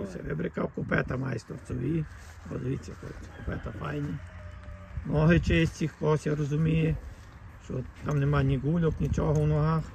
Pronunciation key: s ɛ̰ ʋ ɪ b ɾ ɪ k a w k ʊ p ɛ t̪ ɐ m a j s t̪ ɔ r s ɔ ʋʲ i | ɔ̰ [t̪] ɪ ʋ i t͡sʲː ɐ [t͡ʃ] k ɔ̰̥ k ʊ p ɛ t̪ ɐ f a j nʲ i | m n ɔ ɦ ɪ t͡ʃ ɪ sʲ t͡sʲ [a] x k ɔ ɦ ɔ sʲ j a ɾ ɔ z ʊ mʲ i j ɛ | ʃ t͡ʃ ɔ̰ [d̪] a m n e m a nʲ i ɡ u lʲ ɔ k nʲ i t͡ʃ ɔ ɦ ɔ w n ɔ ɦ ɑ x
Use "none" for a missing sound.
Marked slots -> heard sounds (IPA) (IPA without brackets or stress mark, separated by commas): d̪, none, i, t̪